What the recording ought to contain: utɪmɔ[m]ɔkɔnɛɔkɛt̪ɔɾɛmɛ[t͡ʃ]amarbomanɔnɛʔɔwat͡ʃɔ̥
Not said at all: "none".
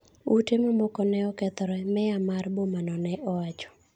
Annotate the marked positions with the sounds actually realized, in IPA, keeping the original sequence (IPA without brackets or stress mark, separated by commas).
m, none